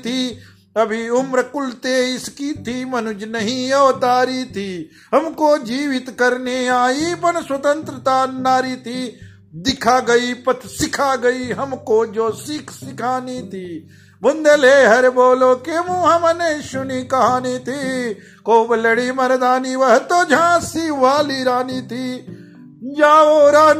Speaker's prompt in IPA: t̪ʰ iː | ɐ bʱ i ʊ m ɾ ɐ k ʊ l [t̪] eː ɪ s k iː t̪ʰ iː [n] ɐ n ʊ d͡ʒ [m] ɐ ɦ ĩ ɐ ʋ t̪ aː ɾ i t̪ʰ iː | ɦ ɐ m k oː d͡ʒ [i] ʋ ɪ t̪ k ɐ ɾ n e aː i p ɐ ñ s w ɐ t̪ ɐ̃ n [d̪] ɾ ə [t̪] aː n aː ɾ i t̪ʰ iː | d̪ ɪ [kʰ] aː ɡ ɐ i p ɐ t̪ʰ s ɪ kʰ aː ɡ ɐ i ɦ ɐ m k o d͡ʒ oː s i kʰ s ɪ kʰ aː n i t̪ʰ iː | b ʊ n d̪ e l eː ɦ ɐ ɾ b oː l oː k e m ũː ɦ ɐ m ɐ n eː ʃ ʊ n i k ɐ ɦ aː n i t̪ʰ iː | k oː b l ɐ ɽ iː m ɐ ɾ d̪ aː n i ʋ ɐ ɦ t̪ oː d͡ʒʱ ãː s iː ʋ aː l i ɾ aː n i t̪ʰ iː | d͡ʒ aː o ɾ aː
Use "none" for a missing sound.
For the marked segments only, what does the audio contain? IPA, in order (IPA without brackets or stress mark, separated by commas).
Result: t̪, m, n, iː, t̪, t̪, kʰ